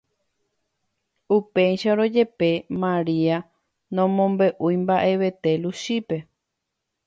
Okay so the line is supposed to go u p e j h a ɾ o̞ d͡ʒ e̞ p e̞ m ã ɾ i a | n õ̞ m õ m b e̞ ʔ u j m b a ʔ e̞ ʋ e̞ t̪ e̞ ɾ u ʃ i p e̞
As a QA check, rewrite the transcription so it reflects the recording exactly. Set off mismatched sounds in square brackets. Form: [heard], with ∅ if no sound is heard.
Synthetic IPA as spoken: u p e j [ʃ] a ɾ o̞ d͡ʒ e̞ p e̞ m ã ɾ i a | n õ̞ m õ m b e̞ ʔ u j m b a ʔ e̞ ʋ e̞ t̪ e̞ [l] u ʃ i p e̞